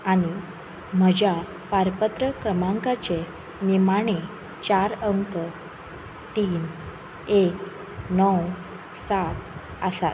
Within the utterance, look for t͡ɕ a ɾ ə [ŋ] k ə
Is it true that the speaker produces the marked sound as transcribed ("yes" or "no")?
yes